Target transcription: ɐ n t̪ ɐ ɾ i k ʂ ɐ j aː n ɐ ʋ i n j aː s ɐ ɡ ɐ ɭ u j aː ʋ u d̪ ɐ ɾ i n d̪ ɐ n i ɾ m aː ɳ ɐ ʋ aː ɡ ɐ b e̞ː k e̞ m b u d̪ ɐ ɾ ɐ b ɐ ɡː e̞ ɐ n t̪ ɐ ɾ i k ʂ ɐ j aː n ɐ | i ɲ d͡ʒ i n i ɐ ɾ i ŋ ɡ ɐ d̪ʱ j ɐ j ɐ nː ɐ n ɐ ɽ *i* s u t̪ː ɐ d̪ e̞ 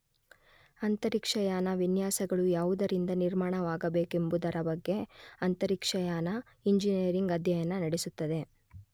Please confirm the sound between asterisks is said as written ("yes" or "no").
no